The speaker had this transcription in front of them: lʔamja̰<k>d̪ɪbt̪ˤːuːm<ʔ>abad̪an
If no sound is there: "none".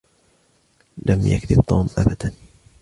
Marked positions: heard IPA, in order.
k, ʔ

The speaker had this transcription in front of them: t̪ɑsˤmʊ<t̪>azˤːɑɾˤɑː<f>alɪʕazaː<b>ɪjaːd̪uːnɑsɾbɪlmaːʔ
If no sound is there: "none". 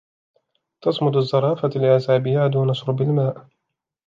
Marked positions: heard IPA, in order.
d̪, f, b

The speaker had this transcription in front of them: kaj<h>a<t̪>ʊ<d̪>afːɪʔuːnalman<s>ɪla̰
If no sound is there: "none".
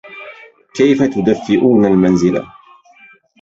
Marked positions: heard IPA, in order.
f, t̪, d̪, z

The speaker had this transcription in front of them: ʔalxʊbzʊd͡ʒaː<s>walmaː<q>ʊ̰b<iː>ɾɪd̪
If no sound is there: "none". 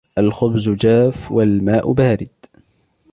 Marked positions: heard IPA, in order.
f, ʔ, aː

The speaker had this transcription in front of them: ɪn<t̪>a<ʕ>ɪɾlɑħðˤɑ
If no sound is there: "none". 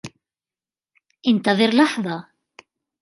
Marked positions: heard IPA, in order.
t̪, ð

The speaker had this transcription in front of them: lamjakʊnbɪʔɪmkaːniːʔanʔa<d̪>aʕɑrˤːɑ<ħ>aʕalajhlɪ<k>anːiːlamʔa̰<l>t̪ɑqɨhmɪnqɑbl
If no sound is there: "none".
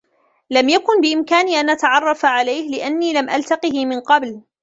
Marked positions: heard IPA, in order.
t̪, f, ʔ, l

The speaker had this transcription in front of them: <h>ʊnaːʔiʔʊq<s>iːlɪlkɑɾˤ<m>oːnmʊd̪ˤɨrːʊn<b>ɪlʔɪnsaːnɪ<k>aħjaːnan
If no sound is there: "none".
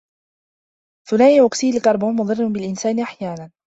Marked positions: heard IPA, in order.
θ, s, b, b, ʔ

